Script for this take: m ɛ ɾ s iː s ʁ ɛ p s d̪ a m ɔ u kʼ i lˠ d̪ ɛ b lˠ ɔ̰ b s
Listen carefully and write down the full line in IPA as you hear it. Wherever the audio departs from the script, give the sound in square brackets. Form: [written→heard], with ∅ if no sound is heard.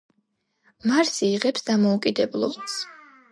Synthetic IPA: m [ɛ→a] ɾ s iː [s→∅] ʁ ɛ p s d̪ a m ɔ u kʼ i [lˠ→∅] d̪ ɛ b lˠ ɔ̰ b s